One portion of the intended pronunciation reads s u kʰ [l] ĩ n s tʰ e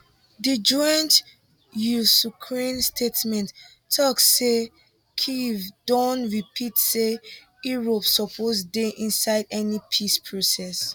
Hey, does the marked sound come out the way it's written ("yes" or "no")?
no